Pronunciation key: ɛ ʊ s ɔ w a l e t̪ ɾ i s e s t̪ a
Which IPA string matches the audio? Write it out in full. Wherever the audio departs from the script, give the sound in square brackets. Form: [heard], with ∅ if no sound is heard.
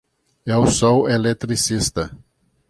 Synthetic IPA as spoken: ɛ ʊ s ɔ w [e] l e t̪ ɾ i s [i] s t̪ [ɐ]

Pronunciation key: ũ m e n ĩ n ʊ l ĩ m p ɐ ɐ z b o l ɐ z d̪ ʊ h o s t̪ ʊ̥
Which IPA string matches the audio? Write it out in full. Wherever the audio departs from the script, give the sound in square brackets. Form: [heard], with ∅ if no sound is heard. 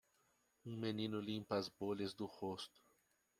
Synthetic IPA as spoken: ũ m e n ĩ n ʊ l ĩ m p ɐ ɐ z b o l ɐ z d̪ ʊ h o s t̪ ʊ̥

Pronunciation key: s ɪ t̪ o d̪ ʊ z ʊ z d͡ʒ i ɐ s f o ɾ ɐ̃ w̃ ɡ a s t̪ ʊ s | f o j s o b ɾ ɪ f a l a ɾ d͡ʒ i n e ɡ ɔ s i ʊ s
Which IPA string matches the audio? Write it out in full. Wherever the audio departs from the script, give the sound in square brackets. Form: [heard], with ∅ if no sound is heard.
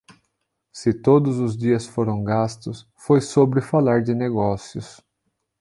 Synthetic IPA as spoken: s ɪ t̪ o d̪ ʊ z ʊ z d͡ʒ i ɐ s f o ɾ ɐ̃ w̃ ɡ a s t̪ ʊ s | f o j s o b ɾ ɪ f a l a ɾ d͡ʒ [ɪ] n e ɡ ɔ s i ʊ s

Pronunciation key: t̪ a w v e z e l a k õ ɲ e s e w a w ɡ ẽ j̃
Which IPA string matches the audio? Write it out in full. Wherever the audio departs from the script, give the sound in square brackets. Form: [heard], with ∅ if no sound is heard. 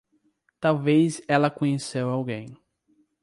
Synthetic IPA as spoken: t̪ a w v e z [ɛ] l [ɐ] k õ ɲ e s e w a w ɡ ẽ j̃

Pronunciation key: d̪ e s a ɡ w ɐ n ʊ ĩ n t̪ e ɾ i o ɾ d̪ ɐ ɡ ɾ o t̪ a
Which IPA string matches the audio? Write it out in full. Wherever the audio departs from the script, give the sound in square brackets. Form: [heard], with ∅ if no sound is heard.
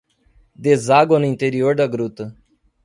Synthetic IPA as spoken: d̪ e [z] a ɡ w ɐ n ʊ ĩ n t̪ e ɾ i o ɾ d̪ ɐ ɡ ɾ [u] t̪ [ɐ]

